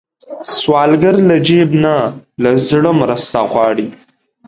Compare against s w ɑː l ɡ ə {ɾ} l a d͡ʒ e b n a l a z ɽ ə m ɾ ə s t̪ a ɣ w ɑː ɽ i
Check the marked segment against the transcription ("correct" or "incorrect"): correct